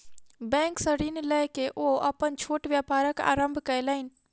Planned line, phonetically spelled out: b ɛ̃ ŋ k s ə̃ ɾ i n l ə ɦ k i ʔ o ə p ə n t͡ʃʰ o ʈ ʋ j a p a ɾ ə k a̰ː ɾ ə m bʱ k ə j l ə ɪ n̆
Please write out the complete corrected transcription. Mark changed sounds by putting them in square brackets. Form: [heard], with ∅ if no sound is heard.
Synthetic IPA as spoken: b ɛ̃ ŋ k s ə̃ ɾ i n l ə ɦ k [e] ʔ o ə p ə n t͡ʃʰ o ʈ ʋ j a p a ɾ ə k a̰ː ɾ ə m bʱ k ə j l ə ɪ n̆